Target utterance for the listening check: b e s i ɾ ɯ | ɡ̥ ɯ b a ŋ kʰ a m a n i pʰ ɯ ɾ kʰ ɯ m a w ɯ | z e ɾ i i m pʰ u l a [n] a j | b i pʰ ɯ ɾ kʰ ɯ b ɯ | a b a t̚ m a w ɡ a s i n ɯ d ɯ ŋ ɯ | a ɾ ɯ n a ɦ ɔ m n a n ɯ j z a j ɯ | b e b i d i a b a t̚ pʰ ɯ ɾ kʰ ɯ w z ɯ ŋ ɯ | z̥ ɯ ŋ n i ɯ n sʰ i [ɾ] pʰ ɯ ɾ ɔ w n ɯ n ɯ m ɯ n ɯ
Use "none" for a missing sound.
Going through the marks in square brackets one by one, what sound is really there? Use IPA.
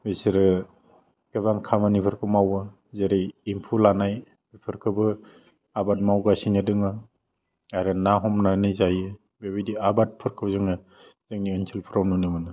n, l

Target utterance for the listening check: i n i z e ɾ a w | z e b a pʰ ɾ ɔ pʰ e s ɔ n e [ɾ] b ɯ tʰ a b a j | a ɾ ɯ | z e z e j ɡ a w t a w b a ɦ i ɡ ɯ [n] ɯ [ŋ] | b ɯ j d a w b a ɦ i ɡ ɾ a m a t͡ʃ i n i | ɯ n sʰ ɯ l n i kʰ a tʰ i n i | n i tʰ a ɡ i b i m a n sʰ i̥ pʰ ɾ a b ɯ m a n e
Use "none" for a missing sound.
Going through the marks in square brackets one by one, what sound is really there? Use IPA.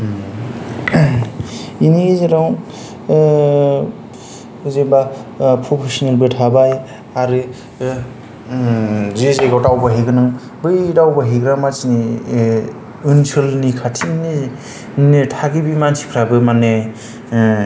l, n, ŋ

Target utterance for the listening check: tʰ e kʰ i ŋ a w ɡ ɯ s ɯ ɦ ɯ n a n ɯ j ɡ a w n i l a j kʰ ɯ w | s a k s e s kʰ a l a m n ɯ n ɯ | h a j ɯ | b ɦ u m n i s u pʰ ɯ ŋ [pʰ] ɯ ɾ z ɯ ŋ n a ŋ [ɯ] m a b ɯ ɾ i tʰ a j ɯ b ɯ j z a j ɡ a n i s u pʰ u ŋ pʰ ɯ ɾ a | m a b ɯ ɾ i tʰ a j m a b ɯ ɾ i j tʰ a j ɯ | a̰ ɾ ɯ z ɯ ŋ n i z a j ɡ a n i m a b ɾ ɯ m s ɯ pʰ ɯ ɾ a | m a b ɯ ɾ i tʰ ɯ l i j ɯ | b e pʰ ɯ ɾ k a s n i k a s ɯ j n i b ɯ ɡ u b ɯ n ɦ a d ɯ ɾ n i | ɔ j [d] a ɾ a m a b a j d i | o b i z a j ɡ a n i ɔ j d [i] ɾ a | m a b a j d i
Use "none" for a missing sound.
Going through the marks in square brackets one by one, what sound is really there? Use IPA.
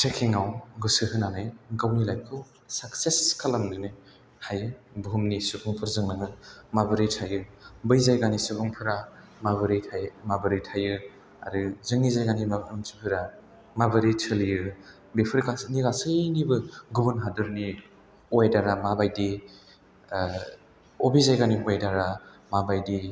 pʰ, ɯ, d, a

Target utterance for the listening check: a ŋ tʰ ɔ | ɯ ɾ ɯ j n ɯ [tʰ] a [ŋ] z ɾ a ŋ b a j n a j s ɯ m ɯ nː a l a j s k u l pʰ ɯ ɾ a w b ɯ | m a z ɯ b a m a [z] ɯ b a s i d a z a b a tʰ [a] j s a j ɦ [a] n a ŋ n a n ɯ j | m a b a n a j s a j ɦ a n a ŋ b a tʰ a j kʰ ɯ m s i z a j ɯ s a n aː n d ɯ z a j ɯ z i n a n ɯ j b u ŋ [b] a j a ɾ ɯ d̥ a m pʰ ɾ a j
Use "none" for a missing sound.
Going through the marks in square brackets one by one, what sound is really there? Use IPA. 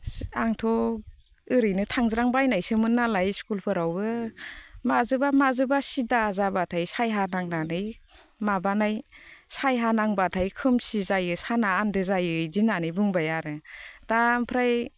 tʰ, ŋ, z, a, a, b

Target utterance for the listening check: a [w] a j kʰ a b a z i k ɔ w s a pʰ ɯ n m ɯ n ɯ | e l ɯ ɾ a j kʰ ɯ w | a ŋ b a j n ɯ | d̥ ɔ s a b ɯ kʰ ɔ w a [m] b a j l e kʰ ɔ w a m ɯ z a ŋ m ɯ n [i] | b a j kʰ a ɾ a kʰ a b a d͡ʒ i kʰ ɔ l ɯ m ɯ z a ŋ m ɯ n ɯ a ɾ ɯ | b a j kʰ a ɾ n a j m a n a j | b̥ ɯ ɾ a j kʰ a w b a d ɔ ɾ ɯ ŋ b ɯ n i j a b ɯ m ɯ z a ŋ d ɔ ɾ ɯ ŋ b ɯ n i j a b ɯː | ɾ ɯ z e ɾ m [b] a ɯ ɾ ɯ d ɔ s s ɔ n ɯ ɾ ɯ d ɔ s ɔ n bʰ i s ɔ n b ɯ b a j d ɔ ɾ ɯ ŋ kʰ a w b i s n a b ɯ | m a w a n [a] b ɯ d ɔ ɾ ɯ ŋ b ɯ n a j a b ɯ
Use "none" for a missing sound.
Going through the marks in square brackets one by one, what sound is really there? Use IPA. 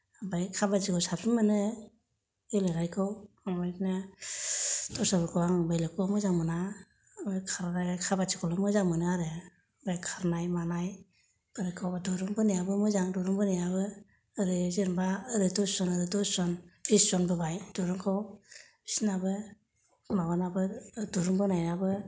b, ŋ, a, b, a

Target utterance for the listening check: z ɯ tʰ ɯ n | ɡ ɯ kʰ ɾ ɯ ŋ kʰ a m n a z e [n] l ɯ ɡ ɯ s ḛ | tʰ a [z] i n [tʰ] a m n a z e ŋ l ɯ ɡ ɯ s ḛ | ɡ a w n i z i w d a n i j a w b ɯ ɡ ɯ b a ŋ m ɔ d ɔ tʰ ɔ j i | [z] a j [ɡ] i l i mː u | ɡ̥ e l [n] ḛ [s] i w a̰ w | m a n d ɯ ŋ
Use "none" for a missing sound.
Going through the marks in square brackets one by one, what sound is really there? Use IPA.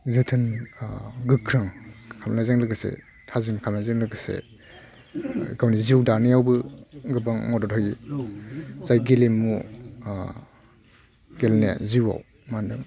ŋ, z, kʰ, z, ɡ, n, z

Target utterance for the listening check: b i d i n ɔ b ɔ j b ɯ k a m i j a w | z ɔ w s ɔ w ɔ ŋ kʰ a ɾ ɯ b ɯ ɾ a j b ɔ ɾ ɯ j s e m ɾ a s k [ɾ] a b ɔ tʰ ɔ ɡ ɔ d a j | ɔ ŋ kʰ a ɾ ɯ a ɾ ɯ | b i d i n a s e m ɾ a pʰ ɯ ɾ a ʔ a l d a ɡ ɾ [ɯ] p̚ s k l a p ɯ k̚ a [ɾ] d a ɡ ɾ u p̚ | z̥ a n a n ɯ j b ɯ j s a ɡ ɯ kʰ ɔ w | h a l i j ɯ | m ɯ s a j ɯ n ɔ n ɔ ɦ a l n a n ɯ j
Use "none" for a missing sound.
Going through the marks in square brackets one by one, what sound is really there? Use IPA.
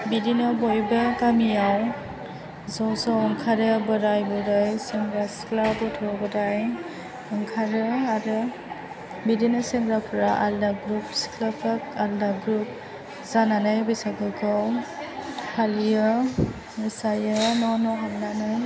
l, u, l

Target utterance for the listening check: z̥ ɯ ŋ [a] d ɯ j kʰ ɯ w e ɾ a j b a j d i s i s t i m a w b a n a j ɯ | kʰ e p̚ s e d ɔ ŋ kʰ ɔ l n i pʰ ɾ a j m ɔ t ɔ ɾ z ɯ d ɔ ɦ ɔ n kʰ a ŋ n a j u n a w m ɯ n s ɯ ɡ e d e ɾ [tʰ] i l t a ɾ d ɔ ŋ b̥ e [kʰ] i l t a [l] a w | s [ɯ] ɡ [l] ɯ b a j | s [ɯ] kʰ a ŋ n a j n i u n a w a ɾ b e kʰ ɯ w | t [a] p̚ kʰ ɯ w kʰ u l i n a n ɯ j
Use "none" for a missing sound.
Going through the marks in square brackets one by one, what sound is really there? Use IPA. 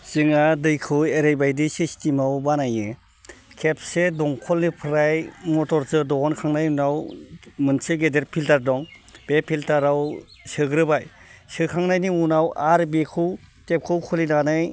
a, pʰ, pʰ, ɾ, ɯ, ɾ, ɯ, e

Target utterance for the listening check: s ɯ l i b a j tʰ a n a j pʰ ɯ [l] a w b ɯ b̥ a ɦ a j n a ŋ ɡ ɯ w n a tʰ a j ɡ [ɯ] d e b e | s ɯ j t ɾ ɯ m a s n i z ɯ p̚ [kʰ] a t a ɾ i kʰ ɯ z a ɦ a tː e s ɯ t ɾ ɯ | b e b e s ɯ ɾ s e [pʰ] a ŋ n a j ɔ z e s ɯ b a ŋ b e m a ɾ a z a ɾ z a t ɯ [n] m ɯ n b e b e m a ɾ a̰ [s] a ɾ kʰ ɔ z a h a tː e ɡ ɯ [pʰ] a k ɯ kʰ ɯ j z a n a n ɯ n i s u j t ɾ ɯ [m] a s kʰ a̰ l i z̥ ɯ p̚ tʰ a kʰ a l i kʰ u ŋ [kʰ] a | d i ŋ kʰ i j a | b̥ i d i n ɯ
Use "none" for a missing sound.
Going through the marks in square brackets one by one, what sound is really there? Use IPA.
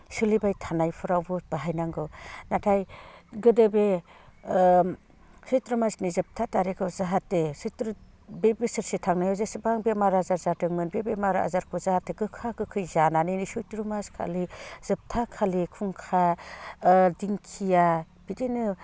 ɾ, ɯ, tʰ, tʰ, ŋ, z, kʰ, m, kʰ

